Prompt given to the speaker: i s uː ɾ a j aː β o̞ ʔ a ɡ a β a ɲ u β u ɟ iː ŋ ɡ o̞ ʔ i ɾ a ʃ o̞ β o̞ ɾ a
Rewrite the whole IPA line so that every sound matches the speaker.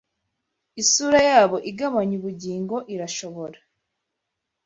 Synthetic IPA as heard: i s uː ɾ a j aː β o̞ ʔ i ɡ a β a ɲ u β u ɟ iː ŋ ɡ o̞ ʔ i ɾ a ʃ o̞ β o̞ ɾ a